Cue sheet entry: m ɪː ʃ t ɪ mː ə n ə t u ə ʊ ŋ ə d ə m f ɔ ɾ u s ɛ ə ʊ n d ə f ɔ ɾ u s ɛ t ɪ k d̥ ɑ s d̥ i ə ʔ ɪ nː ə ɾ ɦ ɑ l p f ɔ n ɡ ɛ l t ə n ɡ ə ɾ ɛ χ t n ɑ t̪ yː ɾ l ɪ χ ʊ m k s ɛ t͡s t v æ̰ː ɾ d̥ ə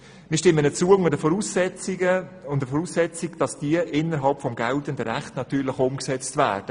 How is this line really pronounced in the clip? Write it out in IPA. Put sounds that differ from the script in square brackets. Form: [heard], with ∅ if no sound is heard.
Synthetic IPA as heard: m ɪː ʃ t ɪ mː ə n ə [t͡s] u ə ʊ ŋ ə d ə [∅] f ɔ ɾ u s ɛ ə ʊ n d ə f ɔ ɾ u s ɛ [t͡s] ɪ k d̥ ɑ s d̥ i ə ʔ ɪ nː ə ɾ ɦ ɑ l p f ɔ [m] ɡ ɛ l t ə n [d] ə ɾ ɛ χ t n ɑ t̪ yː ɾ l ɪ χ ʊ m k s ɛ t͡s t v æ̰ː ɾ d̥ ə